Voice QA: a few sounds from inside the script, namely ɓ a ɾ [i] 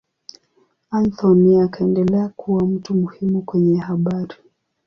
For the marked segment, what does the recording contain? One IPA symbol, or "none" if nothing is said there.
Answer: i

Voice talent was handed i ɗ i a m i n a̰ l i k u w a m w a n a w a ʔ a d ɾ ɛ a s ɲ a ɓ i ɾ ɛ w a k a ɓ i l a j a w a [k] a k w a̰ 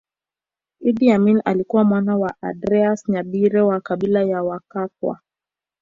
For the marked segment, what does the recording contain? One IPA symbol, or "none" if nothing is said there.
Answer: k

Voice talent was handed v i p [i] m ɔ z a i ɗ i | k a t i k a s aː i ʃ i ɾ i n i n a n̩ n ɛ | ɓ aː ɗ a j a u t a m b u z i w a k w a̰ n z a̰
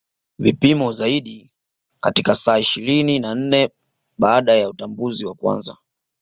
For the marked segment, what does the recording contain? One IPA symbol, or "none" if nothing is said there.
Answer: i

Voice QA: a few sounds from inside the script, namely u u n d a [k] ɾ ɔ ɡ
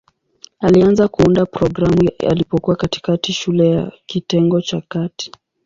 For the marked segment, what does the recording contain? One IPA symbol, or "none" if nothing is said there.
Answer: p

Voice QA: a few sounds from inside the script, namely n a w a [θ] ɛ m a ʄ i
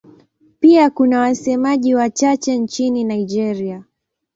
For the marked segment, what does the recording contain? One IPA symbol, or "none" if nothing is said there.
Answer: s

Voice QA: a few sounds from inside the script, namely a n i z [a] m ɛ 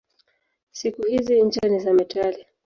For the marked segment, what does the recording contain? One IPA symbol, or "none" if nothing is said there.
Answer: a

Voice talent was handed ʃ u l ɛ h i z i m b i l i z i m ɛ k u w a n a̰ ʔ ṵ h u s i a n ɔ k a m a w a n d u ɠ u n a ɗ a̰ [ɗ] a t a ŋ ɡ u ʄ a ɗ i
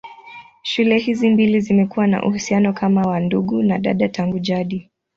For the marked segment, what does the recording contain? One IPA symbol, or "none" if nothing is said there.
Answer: ɗ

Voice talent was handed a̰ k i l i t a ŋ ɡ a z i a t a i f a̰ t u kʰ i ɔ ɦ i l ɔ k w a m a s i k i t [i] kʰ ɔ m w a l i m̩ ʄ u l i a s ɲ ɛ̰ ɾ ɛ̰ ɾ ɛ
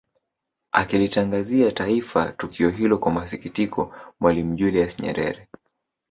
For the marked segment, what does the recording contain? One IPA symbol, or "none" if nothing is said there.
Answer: i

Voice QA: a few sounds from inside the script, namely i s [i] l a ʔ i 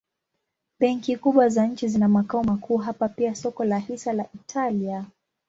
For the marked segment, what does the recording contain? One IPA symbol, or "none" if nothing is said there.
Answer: a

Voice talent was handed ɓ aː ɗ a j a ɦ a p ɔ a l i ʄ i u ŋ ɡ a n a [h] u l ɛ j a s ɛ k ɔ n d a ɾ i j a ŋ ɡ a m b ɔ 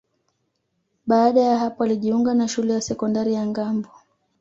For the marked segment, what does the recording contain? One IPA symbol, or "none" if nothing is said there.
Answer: ʃ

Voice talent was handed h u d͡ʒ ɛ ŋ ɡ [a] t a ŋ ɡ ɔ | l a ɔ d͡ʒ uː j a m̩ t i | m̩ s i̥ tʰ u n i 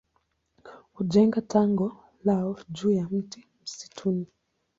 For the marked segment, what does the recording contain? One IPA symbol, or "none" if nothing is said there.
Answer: a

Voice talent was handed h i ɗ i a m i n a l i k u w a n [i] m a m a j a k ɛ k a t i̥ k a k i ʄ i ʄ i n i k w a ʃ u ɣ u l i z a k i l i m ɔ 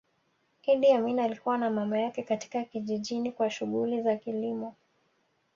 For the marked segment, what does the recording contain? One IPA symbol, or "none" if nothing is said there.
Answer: a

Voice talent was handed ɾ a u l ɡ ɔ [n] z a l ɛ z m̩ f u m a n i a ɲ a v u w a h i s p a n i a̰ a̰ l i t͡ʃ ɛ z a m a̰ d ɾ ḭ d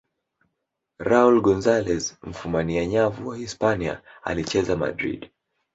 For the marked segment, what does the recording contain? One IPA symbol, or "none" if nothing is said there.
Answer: n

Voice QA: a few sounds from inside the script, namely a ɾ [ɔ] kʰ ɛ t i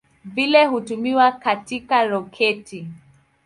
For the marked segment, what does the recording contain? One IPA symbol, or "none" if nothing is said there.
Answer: ɔ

